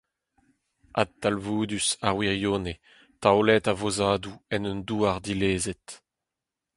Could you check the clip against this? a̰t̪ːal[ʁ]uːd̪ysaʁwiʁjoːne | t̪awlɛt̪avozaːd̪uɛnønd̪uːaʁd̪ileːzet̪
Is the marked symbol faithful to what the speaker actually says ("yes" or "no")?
no